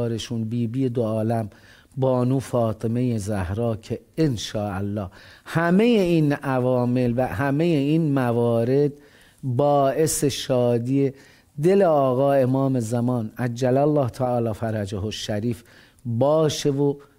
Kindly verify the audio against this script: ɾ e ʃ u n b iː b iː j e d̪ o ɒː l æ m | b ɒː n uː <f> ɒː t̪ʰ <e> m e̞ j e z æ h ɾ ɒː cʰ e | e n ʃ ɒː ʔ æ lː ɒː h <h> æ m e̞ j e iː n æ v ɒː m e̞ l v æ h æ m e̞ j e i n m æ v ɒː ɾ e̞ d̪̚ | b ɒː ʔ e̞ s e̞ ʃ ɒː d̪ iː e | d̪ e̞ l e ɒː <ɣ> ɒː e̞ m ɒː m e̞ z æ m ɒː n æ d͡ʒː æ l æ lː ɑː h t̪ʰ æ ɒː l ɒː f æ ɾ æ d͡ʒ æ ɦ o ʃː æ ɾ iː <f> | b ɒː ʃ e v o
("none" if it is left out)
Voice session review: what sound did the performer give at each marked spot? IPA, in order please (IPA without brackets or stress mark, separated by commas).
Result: f, e, h, ɣ, f